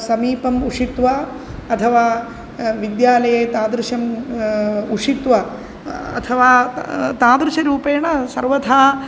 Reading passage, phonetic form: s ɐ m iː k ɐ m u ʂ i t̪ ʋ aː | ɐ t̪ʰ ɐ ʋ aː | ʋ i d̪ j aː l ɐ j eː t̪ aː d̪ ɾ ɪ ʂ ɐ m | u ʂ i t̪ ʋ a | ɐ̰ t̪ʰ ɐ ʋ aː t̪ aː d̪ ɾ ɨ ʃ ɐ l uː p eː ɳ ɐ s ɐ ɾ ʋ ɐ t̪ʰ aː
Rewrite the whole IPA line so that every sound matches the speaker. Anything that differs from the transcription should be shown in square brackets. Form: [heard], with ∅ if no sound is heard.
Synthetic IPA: s ɐ m iː [p] ɐ m u ʂ i t̪ ʋ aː | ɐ t̪ʰ ɐ ʋ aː | ʋ i d̪ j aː l ɐ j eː t̪ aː d̪ ɾ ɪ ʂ ɐ m | u ʂ i t̪ ʋ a | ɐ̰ t̪ʰ ɐ ʋ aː t̪ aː d̪ ɾ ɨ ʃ ɐ [ɾ] uː p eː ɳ ɐ s ɐ ɾ ʋ ɐ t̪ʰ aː